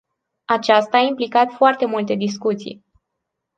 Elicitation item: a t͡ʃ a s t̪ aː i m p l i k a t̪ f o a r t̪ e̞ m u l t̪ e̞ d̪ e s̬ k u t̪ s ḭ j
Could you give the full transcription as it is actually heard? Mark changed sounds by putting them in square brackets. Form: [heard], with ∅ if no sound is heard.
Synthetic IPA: a t͡ʃ a s t̪ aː i m p l i k a t̪ f o a r t̪ e̞ m u l t̪ e̞ d̪ [i] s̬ k u t̪ s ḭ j